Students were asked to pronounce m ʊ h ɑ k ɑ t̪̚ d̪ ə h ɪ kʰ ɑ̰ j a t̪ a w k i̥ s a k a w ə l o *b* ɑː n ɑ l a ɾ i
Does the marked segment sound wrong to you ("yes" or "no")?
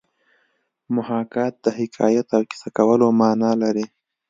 yes